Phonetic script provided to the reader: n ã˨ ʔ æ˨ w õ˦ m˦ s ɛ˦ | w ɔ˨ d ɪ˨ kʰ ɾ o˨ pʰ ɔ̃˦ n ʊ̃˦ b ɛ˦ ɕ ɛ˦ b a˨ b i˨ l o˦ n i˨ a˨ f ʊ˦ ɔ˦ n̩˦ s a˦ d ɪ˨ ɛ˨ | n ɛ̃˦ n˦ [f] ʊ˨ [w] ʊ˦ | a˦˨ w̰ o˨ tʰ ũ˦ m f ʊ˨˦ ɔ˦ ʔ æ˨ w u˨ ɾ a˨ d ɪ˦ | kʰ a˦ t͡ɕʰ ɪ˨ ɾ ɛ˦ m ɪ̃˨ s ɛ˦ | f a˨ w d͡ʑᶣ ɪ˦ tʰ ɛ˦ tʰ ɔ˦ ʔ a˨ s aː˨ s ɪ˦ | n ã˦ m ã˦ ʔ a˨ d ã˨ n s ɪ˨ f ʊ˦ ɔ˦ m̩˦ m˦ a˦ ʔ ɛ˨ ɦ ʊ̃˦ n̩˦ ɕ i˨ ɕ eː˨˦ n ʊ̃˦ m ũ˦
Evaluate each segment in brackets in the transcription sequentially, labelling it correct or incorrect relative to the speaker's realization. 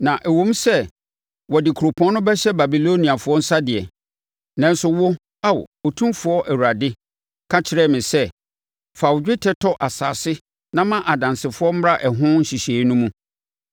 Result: incorrect: s, correct

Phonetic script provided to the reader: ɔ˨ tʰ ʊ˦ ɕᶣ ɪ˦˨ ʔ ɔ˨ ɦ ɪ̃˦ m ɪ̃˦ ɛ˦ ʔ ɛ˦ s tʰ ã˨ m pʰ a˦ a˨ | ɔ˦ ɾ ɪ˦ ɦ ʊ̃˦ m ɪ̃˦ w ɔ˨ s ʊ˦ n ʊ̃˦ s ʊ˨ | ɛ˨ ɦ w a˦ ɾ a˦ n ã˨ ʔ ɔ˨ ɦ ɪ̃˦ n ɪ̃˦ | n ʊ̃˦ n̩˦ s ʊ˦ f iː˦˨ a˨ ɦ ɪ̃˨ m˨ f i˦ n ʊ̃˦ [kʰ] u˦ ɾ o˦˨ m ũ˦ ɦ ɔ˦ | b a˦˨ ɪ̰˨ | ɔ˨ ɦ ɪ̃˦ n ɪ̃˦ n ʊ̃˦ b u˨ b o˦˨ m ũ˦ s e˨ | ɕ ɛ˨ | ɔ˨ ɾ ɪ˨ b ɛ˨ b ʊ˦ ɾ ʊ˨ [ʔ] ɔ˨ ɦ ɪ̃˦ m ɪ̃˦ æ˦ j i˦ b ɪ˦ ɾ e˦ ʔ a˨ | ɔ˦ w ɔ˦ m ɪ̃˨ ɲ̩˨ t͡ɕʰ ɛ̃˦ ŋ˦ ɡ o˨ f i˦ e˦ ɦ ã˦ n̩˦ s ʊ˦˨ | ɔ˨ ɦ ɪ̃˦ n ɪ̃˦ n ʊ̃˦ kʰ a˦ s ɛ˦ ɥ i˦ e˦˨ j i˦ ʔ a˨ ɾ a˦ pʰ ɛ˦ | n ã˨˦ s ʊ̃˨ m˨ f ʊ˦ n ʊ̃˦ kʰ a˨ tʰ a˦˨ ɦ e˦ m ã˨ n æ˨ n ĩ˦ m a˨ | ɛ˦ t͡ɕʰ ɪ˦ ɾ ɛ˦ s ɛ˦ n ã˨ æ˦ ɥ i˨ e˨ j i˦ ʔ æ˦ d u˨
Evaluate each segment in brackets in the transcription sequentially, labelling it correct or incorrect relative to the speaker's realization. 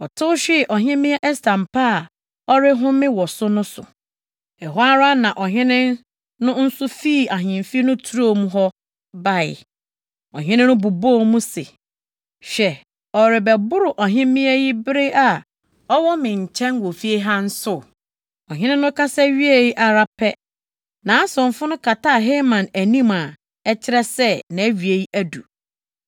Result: incorrect: tʰ, correct

